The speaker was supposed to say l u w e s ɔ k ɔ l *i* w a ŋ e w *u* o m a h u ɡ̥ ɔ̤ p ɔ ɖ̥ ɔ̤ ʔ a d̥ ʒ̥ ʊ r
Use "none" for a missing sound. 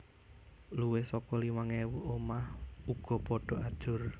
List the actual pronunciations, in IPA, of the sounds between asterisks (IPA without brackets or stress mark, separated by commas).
i, u